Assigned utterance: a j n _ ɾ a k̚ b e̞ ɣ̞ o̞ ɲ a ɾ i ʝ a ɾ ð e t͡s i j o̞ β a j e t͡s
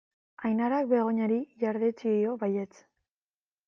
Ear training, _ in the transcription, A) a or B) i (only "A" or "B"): A